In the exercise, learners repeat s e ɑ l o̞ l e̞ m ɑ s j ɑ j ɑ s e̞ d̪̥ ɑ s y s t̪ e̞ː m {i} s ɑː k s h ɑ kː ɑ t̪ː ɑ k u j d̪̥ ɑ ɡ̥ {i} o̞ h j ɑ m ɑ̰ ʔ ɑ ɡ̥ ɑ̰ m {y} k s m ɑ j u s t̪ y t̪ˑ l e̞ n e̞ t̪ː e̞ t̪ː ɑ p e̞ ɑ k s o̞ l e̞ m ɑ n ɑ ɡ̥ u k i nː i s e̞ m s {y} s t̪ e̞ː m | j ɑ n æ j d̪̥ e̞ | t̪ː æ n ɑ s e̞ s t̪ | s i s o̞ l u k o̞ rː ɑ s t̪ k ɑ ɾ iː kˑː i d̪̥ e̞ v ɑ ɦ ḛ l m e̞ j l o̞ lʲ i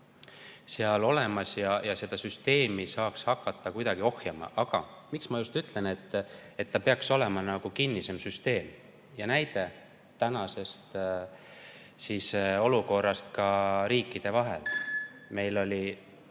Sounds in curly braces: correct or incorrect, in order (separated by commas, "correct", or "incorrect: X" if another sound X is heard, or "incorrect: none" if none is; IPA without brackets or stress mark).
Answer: correct, correct, incorrect: i, correct